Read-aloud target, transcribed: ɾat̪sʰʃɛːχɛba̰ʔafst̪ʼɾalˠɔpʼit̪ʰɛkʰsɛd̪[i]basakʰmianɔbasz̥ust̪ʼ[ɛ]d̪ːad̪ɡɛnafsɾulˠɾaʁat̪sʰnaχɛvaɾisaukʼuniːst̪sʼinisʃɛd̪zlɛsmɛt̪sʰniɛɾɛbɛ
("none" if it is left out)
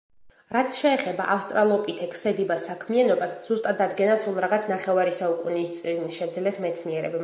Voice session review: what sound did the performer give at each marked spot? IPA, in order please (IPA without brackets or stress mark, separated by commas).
i, a